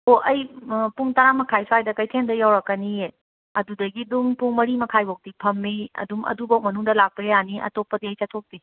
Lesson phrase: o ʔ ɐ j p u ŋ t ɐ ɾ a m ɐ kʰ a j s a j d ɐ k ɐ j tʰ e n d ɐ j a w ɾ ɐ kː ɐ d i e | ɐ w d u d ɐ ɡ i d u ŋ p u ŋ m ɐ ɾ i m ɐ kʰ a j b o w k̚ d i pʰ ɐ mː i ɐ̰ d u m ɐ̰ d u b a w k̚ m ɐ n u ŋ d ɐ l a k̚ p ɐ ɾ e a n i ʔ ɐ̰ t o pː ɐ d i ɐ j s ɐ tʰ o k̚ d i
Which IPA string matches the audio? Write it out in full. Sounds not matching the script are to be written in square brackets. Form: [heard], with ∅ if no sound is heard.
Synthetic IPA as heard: o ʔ ɐ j p u ŋ t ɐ ɾ a m ɐ kʰ a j s a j d ɐ k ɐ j tʰ e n d ɐ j a w ɾ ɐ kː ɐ [n] i e | ɐ [∅] d u d ɐ ɡ i d u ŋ p u ŋ m ɐ ɾ i m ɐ kʰ a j b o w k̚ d i pʰ ɐ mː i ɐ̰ d u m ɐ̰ d u b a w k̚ m ɐ n u ŋ d ɐ l a k̚ p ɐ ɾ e a n i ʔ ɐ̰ t o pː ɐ d i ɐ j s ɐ tʰ o k̚ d i